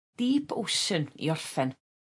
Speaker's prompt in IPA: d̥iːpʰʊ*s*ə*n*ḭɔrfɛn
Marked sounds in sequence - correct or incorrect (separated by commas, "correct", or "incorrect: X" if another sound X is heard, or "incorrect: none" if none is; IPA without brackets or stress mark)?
correct, correct